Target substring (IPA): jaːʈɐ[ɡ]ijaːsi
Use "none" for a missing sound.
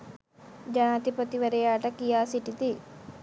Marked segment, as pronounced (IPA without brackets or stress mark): k